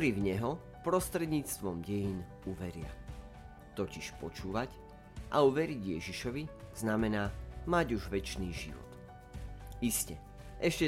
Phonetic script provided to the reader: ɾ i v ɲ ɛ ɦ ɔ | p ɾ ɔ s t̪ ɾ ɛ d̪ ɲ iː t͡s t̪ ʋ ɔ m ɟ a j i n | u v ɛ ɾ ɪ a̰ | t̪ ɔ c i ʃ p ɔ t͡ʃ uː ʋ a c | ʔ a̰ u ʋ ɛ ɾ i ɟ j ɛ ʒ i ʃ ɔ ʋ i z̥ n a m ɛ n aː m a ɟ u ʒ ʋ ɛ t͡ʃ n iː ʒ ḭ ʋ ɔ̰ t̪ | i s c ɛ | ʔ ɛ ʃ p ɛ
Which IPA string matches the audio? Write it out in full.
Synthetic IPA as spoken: ɾ i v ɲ ɛ ɦ ɔ | p ɾ ɔ s t̪ ɾ ɛ d̪ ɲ iː t͡s t̪ ʋ ɔ m ɟ ɛ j i n | u ʋ ɛ ɾ ɪ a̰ | t̪ ɔ c i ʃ p ɔ t͡ʃ uː ʋ a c | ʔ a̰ u ʋ ɛ ɾ i ɟ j ɛ ʒ i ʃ ɔ ʋ i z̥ n a m ɛ n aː m a ɟ u ʒ ʋ ɛ t͡ʃ n iː ʒ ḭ ʋ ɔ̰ t̪ | i s c ɛ | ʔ ɛ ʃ c ɛ